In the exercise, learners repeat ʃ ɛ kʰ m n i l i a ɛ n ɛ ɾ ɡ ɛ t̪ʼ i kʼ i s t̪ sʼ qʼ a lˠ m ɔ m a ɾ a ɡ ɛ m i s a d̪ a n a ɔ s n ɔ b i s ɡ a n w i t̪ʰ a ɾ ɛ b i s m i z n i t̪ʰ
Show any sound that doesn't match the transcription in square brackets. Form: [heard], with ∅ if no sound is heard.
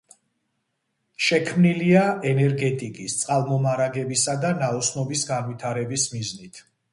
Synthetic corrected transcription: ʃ ɛ kʰ m n i l i a ɛ n ɛ ɾ ɡ ɛ t̪ʼ i kʼ i s t̪ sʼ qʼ a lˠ m ɔ m a ɾ a ɡ ɛ [b] i s a d̪ a n a ɔ s n ɔ b i s ɡ a n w i t̪ʰ a ɾ ɛ b i s m i z n i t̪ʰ